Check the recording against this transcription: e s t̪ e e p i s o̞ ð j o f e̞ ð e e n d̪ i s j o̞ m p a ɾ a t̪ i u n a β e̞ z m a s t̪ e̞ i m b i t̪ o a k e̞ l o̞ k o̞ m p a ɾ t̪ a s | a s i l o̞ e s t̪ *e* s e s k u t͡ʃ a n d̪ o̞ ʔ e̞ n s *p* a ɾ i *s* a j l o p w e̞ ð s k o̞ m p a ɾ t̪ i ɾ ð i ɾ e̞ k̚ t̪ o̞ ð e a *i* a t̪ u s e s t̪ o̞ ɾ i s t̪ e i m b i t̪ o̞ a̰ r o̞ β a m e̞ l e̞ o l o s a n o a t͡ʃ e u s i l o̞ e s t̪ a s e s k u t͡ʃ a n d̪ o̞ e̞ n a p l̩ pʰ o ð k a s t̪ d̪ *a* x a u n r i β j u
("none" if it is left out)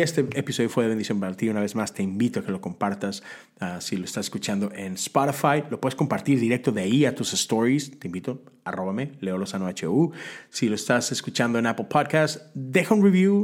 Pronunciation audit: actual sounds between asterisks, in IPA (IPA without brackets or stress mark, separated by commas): a, p, f, i, e